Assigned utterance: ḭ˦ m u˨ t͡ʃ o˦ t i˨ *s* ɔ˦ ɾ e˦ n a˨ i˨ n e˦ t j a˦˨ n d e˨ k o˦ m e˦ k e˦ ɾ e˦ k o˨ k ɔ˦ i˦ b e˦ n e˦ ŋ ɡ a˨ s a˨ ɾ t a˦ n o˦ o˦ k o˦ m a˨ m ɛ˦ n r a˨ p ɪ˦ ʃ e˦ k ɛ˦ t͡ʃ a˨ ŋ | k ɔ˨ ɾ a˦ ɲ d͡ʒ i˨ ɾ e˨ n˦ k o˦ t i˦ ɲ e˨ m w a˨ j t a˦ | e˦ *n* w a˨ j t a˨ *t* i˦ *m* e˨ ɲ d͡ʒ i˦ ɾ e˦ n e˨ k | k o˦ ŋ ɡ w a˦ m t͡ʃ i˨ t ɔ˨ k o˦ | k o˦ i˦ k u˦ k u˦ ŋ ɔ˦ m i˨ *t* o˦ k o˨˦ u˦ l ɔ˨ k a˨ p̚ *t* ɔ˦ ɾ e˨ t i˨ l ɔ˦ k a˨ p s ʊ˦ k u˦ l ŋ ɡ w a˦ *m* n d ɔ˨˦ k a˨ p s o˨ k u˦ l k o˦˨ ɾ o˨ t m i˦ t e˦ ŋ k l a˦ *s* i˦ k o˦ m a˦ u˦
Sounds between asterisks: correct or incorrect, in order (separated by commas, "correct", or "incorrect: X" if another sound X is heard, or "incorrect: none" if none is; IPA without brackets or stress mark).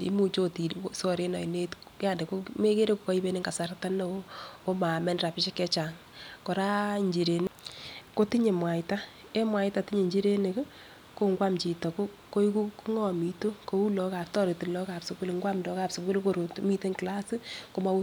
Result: correct, incorrect: m, correct, incorrect: ɲ, correct, correct, correct, correct